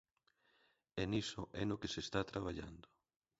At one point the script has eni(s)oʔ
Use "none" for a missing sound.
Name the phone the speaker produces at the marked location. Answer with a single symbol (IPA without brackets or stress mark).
s